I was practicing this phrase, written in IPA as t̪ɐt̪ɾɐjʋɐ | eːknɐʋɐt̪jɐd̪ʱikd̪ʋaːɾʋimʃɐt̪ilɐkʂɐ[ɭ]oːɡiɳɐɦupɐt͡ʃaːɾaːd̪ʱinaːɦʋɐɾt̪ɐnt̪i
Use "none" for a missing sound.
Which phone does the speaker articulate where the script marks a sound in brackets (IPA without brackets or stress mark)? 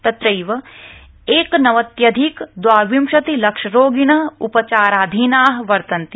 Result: ɾ